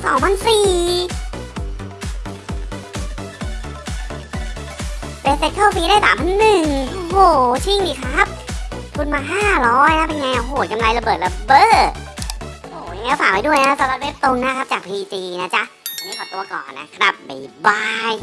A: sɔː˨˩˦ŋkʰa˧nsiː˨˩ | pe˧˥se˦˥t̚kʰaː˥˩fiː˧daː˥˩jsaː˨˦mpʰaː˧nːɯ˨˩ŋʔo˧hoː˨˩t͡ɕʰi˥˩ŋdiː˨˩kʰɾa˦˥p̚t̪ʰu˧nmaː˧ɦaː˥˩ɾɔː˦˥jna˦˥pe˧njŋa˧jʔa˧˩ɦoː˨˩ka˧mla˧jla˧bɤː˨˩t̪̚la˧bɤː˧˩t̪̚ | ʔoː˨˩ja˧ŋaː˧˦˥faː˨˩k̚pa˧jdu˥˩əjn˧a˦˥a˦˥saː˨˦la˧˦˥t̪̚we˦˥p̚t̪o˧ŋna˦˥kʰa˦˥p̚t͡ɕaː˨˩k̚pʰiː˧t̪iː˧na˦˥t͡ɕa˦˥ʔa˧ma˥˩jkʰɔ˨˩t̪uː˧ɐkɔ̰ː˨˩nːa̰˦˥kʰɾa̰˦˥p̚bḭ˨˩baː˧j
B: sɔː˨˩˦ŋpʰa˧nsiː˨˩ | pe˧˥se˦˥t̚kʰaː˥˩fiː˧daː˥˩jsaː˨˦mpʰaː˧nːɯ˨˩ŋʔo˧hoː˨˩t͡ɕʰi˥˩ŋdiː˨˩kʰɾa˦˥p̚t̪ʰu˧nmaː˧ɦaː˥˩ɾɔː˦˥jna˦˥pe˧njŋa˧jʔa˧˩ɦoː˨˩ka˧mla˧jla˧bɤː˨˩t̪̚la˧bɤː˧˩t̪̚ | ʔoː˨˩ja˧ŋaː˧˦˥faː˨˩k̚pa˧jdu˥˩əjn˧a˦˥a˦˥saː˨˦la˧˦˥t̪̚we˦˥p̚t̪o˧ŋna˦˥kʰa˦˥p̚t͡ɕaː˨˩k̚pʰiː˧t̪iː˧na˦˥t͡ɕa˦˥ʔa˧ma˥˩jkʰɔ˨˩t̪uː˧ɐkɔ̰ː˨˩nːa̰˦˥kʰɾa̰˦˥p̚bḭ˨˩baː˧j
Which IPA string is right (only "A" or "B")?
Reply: B